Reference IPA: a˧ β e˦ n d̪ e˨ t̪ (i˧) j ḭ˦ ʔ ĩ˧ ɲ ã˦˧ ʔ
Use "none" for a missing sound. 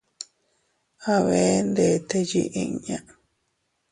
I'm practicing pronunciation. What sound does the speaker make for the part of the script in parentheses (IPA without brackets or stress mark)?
e˧